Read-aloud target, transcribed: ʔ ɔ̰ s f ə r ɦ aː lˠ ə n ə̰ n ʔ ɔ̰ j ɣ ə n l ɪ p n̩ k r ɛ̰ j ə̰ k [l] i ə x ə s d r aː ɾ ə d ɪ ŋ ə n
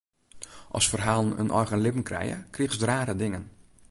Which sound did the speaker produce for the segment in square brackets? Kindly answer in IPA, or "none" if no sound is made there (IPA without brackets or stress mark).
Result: r